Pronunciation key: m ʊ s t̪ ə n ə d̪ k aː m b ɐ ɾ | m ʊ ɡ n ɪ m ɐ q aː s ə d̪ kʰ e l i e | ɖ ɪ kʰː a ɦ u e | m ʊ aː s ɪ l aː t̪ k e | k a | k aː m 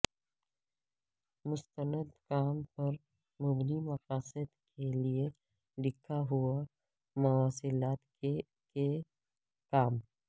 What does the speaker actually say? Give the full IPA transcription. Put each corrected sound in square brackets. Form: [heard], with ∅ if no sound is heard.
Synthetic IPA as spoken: m ʊ s t̪ ə n ə d̪ k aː m [p] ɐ ɾ | m ʊ [b] n [i] m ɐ q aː s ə d̪ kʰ e l i e | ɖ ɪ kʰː a ɦ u [a] | m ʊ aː s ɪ l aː t̪ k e | k [e] | k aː m